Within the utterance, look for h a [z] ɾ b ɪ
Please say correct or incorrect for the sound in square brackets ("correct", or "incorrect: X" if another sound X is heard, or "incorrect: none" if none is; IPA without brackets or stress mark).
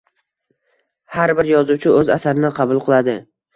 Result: incorrect: none